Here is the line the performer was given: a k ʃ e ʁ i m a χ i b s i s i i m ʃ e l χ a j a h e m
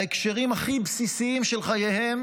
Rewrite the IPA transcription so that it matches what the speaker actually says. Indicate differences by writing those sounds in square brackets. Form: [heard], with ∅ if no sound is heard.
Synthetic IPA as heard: [e] k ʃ e ʁ i m a χ i b s i s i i m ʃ e l χ a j [e] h e m